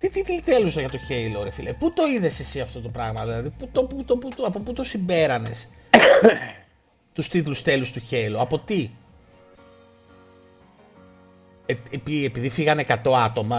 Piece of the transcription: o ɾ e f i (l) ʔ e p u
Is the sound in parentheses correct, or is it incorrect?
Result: correct